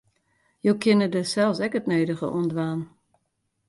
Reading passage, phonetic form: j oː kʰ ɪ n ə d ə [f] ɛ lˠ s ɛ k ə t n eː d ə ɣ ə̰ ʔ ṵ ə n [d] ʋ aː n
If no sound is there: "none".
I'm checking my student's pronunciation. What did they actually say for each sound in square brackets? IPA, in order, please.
s, d

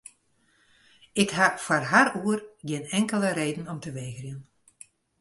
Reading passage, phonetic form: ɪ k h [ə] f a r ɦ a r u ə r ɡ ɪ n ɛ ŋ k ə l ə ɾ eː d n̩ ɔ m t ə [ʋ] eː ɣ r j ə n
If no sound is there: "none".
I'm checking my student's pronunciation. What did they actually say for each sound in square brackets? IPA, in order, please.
a, ʋ

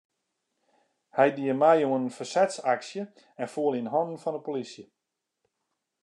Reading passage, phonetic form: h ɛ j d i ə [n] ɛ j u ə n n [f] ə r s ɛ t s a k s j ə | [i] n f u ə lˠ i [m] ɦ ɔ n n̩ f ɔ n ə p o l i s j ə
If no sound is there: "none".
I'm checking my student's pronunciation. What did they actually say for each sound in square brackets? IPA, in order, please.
m, f, ɛ, n

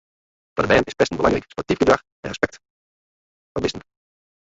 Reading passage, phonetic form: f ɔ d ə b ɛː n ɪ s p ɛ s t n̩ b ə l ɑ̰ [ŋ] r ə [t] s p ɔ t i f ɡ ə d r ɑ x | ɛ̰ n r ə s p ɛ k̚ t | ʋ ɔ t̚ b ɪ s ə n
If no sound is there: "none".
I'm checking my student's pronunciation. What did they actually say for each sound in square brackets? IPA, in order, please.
ŋ, k

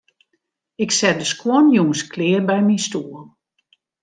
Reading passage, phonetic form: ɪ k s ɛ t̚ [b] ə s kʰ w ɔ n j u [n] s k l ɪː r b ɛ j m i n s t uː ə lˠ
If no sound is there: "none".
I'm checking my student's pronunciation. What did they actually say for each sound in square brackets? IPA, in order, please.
d, ŋ

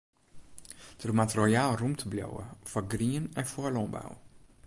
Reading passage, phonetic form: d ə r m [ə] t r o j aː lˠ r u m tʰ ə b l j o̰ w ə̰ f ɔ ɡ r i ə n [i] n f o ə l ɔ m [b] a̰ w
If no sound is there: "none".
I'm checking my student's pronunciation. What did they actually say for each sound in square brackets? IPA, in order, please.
a, ɛ, b

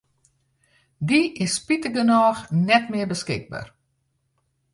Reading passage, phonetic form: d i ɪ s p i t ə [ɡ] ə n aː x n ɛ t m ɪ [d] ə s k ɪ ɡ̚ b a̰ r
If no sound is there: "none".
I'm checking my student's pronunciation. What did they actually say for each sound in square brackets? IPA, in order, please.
ɡ, b

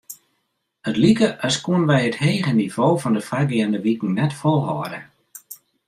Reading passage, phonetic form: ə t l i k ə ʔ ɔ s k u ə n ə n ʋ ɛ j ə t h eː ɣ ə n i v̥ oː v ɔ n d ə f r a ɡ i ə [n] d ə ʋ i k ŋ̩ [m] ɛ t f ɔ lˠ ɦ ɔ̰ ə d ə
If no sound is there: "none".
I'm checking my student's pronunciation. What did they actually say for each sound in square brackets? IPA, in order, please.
n, n

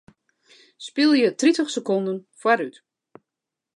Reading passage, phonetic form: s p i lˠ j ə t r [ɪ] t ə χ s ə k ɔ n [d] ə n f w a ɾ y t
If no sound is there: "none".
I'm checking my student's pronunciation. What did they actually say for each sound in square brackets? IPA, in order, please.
i, d

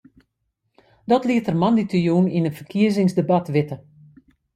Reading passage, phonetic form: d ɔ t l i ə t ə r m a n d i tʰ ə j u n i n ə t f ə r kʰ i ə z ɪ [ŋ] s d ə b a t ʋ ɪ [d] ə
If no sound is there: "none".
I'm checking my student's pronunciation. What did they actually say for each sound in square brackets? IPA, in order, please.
ŋ, t

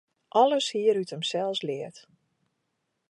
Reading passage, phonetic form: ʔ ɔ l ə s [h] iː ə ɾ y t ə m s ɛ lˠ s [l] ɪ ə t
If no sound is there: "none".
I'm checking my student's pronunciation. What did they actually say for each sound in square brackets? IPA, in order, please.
h, l

